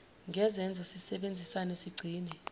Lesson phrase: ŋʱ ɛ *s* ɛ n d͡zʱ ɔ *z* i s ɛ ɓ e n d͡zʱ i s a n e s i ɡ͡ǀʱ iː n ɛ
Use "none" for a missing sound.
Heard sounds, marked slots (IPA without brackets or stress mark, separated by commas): z, s